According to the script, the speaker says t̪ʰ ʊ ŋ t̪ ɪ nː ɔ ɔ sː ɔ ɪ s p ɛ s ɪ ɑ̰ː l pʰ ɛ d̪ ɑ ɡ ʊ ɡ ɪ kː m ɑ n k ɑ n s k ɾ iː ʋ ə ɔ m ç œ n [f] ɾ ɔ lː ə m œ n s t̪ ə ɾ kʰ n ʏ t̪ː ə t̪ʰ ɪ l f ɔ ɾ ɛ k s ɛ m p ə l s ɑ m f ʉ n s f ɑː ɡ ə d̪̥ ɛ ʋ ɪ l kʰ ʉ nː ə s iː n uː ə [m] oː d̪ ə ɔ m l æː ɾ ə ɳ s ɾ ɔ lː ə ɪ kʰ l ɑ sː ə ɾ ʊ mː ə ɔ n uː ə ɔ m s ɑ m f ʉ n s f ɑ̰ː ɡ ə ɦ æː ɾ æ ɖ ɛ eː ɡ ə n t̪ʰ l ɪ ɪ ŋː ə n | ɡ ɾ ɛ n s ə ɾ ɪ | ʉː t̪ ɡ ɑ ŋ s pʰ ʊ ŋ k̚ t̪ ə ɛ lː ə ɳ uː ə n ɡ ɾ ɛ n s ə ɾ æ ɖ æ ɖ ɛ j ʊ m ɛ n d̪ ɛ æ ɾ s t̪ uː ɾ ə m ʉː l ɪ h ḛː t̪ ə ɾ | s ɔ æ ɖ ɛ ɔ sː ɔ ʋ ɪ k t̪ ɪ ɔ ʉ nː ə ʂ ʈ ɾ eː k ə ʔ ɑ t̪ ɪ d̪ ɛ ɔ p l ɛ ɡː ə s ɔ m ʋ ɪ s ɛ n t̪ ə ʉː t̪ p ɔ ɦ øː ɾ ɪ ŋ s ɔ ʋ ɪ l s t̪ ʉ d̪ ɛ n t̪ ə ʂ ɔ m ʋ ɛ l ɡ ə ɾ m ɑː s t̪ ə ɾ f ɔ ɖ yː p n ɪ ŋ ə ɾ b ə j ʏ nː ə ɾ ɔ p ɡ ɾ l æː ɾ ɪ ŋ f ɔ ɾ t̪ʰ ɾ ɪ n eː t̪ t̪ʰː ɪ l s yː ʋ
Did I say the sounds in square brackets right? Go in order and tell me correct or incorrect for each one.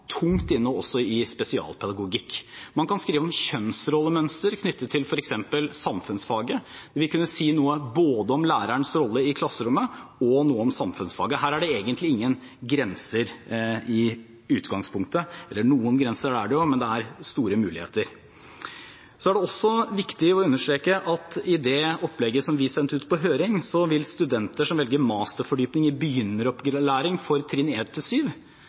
incorrect: s, incorrect: b

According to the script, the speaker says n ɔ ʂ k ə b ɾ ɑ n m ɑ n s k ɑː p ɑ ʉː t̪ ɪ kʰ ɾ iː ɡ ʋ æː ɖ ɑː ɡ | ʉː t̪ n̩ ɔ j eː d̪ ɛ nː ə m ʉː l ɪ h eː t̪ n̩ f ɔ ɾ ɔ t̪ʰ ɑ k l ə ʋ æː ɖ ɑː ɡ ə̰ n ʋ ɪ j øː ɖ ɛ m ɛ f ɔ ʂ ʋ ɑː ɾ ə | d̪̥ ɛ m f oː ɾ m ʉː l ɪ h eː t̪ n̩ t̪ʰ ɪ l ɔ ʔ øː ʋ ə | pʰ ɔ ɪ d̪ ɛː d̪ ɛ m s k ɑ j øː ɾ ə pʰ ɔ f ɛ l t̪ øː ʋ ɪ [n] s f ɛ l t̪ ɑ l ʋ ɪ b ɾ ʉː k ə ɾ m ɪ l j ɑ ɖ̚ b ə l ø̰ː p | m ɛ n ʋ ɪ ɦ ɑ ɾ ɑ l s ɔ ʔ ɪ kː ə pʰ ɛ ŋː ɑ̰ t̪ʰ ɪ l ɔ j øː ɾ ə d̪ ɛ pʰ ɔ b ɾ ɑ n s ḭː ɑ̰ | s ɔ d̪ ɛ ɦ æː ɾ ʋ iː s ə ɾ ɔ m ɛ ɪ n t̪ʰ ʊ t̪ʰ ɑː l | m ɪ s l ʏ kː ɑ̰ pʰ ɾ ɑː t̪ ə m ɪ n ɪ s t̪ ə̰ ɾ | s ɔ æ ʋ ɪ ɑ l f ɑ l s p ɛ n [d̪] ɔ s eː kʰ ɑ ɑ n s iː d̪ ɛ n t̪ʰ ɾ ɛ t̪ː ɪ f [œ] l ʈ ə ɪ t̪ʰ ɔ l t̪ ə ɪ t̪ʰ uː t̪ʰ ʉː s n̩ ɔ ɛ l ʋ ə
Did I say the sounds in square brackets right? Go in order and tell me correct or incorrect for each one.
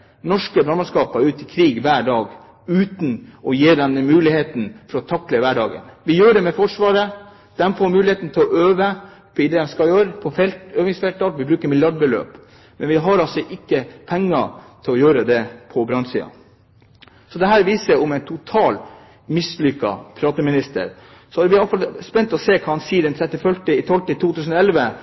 incorrect: ŋ, incorrect: t̪, correct

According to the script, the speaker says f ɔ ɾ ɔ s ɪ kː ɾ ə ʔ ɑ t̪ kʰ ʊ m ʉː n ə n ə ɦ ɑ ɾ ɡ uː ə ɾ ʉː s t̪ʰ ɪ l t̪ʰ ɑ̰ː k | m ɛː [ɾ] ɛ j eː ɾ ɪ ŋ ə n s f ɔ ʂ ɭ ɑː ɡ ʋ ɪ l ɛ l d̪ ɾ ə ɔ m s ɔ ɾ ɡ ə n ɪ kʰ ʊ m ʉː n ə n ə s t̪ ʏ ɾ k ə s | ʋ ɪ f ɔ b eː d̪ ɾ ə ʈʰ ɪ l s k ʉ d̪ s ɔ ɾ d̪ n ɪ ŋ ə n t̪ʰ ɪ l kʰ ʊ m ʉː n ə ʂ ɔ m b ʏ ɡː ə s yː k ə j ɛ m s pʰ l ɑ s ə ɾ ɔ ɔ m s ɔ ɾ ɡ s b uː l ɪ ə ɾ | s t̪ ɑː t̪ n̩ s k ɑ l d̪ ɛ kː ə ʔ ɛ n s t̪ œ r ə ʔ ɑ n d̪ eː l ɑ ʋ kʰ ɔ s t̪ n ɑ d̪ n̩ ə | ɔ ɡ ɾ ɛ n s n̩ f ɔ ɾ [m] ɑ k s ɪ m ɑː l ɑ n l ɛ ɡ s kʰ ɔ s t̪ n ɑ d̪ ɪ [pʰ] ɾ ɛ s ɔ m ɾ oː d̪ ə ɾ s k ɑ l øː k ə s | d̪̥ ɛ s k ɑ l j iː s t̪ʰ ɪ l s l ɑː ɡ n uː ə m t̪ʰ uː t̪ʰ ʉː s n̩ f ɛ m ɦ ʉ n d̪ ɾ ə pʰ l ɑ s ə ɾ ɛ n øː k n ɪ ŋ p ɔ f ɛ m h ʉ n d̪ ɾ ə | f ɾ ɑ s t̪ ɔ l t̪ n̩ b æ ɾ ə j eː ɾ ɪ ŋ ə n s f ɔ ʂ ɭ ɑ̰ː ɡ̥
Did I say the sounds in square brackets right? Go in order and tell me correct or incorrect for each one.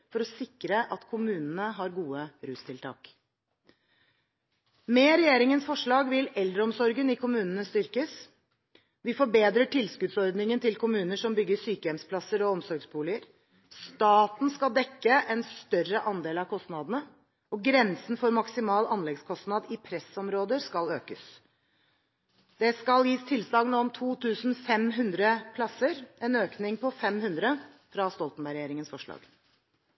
correct, correct, correct

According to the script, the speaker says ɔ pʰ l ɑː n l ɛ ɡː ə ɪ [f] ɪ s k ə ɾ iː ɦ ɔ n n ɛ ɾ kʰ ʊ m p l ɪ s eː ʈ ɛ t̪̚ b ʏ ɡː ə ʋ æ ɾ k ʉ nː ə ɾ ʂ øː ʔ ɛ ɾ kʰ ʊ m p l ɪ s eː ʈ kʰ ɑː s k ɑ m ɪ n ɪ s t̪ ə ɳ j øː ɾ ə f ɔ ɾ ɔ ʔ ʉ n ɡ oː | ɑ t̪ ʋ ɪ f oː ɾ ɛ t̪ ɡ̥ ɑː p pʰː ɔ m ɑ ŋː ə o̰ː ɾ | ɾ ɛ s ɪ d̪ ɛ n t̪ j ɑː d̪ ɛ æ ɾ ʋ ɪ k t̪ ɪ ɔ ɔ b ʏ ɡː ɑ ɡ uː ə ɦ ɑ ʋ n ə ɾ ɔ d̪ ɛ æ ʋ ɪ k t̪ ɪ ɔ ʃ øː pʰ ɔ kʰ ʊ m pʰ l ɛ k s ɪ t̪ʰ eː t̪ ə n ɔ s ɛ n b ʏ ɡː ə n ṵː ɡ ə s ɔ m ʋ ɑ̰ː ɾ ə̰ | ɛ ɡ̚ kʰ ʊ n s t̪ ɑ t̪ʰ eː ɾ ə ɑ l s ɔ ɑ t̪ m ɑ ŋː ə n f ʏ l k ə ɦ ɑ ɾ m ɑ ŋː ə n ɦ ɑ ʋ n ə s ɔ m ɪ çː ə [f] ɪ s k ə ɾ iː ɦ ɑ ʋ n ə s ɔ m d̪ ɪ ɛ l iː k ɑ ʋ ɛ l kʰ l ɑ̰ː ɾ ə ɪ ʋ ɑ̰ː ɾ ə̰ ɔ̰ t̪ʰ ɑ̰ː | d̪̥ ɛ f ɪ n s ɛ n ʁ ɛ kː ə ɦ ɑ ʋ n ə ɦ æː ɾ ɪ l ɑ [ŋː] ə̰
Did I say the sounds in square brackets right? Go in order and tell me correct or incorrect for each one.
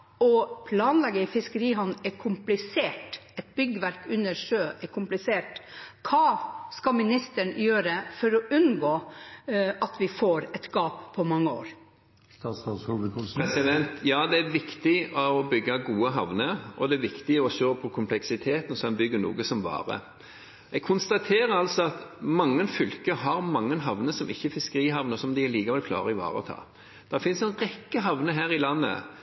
correct, correct, incorrect: nː

